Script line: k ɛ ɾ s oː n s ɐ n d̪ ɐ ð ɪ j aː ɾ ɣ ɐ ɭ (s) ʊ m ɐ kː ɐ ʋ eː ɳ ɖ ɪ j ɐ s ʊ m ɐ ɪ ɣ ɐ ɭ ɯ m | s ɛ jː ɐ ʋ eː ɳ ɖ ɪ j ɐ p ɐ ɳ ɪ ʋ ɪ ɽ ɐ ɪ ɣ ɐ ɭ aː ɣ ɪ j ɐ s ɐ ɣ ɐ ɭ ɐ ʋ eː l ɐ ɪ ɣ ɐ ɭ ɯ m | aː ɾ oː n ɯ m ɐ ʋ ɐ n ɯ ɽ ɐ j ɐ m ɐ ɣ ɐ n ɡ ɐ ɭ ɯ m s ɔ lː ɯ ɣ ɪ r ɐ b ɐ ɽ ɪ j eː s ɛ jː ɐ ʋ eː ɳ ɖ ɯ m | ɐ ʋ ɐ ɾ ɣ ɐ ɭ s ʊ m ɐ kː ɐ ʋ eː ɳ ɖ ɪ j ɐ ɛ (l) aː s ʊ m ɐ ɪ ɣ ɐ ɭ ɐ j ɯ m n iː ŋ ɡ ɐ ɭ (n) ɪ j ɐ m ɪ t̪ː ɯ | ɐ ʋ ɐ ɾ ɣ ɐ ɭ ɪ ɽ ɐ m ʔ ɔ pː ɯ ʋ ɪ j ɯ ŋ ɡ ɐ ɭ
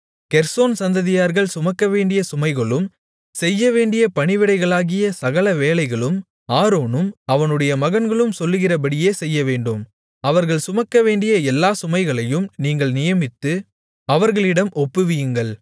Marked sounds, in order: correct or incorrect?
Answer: correct, incorrect, correct

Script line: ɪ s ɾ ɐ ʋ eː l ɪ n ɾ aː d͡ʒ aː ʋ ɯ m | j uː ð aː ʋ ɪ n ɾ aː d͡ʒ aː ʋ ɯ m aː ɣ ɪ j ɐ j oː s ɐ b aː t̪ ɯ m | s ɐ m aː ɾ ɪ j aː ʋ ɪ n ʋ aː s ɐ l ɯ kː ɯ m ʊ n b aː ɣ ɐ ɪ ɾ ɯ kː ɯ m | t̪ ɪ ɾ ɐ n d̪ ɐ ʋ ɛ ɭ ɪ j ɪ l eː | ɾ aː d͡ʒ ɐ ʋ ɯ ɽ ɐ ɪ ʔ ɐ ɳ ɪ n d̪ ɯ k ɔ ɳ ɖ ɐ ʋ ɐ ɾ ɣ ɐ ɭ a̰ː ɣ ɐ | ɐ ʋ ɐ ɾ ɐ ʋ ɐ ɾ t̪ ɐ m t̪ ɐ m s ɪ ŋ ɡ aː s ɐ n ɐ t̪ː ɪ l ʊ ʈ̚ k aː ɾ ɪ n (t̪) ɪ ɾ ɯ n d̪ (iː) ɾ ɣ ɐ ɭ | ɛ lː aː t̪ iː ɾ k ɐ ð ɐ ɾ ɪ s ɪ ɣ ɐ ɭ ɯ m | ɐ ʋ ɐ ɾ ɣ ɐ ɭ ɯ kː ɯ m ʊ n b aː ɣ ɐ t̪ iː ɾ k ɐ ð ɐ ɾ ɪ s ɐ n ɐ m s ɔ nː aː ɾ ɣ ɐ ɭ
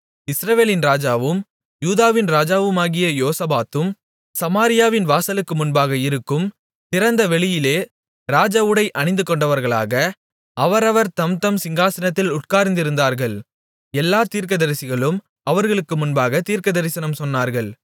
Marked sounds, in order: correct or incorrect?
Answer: incorrect, incorrect

